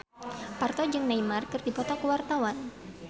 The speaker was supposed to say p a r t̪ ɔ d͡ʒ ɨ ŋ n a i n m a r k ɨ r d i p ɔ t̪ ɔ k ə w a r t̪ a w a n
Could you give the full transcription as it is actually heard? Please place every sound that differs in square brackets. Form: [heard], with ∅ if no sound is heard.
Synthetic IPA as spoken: p a r t̪ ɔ d͡ʒ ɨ ŋ n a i [∅] m a r k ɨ r d i p ɔ t̪ ɔ k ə w a r t̪ a w a n